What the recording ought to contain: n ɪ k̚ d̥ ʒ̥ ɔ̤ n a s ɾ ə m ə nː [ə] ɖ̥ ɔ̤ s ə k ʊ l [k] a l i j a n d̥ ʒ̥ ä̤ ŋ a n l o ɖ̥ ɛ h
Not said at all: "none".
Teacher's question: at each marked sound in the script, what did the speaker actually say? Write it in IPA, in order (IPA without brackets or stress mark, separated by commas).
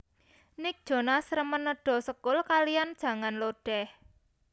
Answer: ə, k